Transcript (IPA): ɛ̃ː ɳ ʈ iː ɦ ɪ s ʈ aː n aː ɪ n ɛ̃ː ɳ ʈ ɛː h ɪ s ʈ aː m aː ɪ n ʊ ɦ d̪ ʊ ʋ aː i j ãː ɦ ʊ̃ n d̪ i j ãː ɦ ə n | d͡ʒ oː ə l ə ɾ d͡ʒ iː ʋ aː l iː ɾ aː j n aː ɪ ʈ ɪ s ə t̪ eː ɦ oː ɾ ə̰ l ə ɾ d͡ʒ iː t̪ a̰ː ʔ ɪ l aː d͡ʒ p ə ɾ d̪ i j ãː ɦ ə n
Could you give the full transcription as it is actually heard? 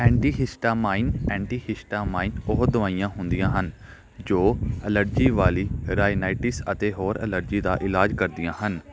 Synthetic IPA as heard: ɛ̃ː ɳ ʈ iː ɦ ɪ s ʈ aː m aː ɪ n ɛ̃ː ɳ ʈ iː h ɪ s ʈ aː m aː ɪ n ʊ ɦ d̪ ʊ ʋ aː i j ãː ɦ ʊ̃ n d̪ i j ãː ɦ ə n | d͡ʒ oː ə l ə ɾ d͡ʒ iː ʋ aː l iː ɾ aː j n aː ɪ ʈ ɪ s ə t̪ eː ɦ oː ɾ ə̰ l ə ɾ d͡ʒ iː d̪ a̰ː ʔ ɪ l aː d͡ʒ k ə ɾ d̪ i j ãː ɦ ə n